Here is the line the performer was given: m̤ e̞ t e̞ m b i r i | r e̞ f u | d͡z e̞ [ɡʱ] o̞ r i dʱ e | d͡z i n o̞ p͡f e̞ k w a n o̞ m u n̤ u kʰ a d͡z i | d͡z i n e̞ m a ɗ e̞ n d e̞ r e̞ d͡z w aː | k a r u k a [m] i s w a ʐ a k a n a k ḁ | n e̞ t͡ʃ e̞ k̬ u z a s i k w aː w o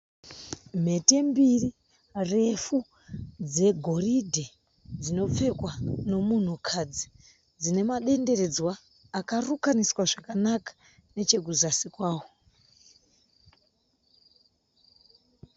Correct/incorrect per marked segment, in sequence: correct, incorrect: n

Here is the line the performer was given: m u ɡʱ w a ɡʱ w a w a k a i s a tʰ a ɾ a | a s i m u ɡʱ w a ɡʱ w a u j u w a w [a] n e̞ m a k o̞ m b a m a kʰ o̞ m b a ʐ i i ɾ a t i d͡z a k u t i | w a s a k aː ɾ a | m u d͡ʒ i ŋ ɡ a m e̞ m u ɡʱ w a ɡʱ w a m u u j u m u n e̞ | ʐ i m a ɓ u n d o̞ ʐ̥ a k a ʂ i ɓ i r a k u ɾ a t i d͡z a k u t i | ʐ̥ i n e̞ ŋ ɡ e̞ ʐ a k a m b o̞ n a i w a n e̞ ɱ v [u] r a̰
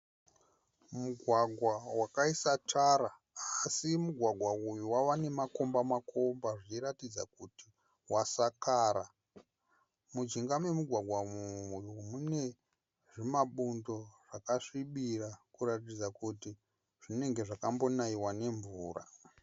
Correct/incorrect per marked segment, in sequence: correct, incorrect: uː

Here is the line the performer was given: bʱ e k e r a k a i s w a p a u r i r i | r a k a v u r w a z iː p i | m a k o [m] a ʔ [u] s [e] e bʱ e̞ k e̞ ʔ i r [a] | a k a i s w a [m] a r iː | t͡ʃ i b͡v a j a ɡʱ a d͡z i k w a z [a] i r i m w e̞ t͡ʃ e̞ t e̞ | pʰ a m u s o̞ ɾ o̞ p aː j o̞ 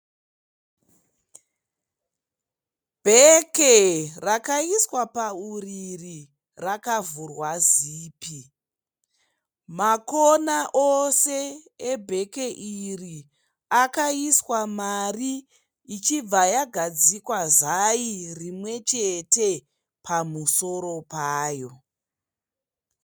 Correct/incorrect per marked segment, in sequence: incorrect: n, incorrect: o, correct, incorrect: i, correct, correct

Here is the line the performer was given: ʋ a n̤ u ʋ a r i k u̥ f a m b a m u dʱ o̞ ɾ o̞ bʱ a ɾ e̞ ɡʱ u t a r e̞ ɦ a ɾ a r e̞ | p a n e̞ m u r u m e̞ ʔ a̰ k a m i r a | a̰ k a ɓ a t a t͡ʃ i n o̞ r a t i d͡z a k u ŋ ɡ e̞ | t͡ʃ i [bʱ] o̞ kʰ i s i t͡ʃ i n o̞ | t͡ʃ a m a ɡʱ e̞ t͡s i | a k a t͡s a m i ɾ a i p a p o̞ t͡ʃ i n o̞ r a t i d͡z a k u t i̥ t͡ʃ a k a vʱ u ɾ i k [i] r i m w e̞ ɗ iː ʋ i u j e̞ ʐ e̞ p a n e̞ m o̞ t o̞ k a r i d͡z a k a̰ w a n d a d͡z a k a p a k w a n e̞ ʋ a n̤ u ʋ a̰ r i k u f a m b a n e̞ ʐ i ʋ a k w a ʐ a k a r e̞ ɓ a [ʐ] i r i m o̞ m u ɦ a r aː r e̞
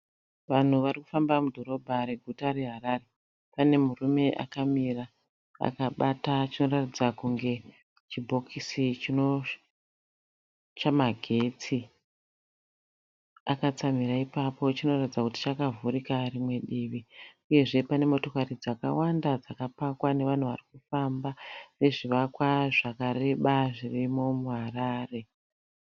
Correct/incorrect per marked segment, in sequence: correct, incorrect: a, correct

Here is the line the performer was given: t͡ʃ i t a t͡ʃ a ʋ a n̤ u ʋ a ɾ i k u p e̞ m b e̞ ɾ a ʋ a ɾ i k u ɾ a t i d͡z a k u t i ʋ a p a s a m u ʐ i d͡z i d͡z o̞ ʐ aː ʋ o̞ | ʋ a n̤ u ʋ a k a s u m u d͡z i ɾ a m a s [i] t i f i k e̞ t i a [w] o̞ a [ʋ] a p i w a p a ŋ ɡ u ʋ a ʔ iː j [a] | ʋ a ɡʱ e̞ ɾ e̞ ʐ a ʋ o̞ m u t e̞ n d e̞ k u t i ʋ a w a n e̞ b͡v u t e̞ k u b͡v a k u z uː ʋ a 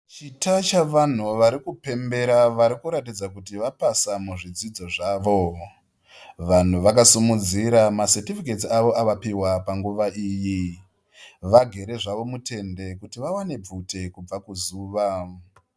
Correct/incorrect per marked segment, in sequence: incorrect: e, incorrect: ʋ, correct, incorrect: i

